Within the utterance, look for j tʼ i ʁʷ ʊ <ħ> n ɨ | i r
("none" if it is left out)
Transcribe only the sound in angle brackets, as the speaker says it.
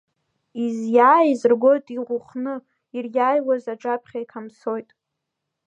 χ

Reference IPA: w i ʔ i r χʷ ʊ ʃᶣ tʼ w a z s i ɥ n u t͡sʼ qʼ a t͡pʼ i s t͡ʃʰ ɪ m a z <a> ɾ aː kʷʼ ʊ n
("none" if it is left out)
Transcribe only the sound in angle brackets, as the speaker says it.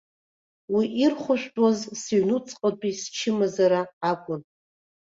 a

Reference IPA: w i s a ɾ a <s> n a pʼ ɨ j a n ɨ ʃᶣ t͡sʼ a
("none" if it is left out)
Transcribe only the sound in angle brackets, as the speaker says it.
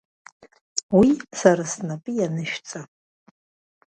s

